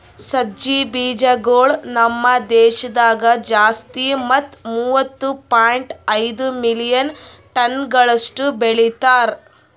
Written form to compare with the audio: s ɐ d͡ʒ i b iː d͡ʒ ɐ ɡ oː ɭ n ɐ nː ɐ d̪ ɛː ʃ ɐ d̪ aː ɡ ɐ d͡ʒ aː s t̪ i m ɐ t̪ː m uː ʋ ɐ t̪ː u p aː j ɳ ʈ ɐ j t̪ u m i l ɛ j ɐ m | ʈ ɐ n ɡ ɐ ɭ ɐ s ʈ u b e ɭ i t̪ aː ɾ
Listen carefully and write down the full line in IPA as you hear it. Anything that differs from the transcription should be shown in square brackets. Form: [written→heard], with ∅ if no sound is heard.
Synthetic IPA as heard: s ɐ d͡ʒ i b iː d͡ʒ ɐ ɡ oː ɭ n ɐ [nː→mː] ɐ d̪ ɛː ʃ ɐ d̪ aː ɡ ɐ d͡ʒ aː s t̪ i m ɐ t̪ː m uː ʋ ɐ t̪ː u p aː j ɳ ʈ ɐ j [t̪→d̪] u m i l [ɛ→i] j ɐ [m→n] | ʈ ɐ n ɡ ɐ ɭ ɐ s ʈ u b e ɭ i t̪ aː ɾ